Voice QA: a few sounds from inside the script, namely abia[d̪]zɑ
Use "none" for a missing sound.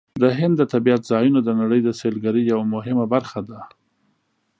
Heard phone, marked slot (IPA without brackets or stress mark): t̪